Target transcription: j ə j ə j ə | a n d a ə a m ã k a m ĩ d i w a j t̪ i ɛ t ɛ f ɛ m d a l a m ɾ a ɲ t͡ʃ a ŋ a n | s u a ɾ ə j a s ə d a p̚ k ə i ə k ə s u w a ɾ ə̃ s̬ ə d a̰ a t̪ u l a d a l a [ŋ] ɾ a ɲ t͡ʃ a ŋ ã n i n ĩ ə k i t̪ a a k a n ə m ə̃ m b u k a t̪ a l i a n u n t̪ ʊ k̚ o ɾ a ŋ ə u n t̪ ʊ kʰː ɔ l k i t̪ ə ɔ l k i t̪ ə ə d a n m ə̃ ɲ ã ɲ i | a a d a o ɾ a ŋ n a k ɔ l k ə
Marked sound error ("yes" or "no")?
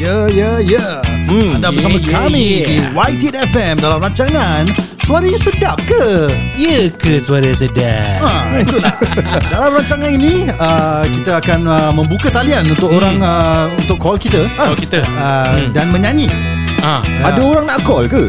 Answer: yes